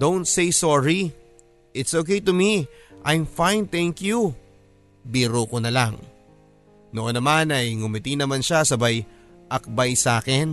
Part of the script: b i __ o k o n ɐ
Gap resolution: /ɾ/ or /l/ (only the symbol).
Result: ɾ